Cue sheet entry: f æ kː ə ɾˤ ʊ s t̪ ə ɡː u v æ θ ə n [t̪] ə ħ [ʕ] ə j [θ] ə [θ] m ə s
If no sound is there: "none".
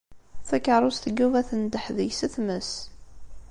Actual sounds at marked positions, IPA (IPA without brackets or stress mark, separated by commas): d̪, ð, s, θ